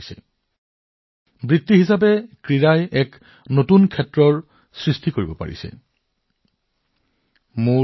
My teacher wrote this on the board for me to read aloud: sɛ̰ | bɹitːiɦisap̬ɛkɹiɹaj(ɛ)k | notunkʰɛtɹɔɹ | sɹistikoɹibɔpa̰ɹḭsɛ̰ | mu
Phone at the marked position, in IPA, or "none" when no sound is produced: ɛ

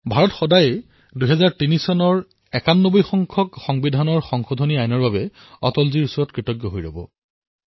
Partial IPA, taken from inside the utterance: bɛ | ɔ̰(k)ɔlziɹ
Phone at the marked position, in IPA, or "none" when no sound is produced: t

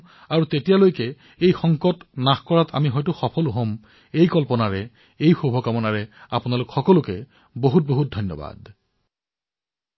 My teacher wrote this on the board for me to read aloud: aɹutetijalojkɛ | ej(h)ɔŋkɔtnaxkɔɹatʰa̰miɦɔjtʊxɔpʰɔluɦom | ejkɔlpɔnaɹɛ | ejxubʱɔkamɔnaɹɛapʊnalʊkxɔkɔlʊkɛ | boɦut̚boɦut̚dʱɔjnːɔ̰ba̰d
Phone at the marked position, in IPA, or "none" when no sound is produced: x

